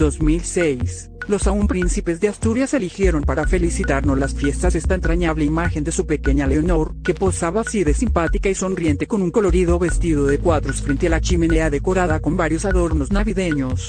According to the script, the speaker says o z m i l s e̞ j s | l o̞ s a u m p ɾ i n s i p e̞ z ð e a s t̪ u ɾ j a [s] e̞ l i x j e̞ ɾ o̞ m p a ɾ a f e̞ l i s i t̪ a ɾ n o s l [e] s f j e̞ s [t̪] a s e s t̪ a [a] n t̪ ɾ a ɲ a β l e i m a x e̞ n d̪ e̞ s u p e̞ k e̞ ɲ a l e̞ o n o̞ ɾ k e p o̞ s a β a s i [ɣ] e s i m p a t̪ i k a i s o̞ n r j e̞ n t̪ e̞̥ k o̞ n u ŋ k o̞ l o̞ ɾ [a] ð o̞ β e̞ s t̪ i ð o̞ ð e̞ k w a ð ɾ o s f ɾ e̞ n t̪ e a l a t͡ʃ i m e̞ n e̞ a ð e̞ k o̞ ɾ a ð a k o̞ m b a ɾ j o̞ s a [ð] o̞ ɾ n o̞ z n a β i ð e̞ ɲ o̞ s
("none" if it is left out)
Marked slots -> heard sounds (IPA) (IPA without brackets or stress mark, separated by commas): s, a, t̪, e, ð, i, ð